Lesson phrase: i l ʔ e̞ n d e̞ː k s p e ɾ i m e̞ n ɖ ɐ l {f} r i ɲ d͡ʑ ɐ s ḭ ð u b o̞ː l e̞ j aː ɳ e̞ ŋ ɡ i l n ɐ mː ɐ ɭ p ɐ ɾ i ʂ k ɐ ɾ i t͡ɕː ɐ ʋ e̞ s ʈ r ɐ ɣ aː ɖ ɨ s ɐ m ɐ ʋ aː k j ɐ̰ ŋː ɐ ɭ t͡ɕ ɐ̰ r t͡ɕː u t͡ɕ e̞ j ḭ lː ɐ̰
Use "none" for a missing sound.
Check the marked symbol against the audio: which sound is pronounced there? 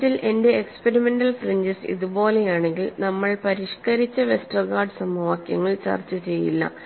f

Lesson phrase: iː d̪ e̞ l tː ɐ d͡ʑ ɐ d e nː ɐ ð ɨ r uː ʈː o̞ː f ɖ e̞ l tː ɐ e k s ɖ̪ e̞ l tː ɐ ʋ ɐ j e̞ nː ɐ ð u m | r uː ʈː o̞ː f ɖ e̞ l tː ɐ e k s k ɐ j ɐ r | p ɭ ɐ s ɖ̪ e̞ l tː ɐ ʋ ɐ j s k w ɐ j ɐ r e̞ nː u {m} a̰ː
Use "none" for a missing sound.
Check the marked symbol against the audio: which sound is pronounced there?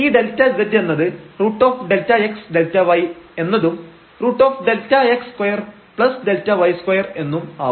m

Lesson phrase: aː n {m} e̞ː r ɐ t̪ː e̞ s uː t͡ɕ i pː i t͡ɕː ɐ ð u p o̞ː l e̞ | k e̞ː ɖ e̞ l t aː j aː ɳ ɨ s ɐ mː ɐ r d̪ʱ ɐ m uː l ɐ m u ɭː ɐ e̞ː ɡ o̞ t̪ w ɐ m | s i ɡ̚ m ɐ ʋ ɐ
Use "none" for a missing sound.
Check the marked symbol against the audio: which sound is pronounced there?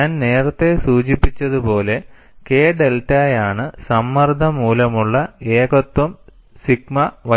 n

